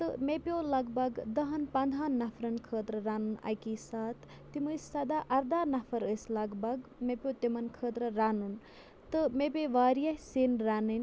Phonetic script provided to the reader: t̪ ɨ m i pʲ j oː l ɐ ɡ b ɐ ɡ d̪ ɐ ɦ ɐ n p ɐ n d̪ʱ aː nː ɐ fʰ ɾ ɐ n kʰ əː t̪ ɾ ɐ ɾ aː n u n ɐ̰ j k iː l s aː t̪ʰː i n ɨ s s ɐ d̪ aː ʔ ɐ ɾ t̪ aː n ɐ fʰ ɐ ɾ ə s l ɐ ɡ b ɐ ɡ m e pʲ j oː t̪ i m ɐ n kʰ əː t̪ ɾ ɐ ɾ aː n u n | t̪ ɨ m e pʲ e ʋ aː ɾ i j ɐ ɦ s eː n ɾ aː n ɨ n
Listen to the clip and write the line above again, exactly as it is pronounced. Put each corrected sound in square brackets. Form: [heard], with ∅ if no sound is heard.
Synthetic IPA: t̪ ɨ m [e] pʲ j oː l ɐ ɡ b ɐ ɡ d̪ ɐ ɦ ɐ n p ɐ n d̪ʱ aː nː ɐ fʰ ɾ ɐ n kʰ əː t̪ ɾ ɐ ɾ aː n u n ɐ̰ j k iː [∅] s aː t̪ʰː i [m] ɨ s s ɐ d̪ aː ʔ ɐ ɾ [d̪] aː n ɐ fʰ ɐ ɾ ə s l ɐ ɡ b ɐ ɡ m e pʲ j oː t̪ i m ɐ n kʰ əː t̪ ɾ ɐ ɾ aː n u n | t̪ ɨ m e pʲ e ʋ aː ɾ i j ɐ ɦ s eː n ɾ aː n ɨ n